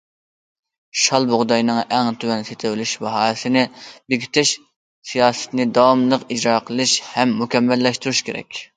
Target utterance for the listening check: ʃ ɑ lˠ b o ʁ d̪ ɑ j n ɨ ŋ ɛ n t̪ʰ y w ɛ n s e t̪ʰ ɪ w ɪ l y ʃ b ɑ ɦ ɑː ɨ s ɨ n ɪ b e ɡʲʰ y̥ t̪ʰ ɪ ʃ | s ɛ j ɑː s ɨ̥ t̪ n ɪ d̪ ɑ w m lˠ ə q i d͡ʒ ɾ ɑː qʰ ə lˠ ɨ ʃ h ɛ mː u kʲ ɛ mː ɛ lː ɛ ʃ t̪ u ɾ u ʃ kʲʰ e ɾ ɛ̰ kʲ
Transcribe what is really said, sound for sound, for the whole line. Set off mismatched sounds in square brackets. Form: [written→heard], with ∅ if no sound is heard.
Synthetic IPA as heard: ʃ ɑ lˠ b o ʁ d̪ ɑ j n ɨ ŋ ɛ [n→ŋ] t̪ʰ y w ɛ n s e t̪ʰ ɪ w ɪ l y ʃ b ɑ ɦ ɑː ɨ s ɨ n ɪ b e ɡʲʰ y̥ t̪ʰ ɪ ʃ | s [ɛ→i] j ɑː s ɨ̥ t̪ n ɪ d̪ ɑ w m lˠ ə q i d͡ʒ ɾ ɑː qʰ ə lˠ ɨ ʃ h ɛ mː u kʲ ɛ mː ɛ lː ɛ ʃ t̪ u ɾ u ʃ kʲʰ e ɾ ɛ̰ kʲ